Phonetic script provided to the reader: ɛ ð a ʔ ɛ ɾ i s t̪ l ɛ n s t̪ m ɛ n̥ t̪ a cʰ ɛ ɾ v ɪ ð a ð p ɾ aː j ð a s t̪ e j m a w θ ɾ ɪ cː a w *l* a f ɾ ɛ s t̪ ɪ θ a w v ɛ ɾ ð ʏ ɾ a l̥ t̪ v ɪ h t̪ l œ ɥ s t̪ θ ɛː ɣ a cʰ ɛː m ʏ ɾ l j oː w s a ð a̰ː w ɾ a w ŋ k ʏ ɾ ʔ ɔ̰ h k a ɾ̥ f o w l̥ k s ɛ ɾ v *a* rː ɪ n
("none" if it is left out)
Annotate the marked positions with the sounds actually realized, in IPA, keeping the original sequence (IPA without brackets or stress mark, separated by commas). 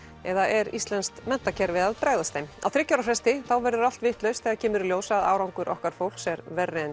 ɾ, ɛ